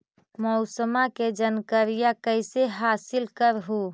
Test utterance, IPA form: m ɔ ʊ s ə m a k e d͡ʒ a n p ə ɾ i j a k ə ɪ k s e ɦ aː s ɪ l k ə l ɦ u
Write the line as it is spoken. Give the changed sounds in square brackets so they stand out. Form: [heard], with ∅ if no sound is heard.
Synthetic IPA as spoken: m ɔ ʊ s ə m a k e d͡ʒ [ə] n [k] ə ɾ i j a k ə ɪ [∅] s e ɦ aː s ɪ l k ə [ɾ] ɦ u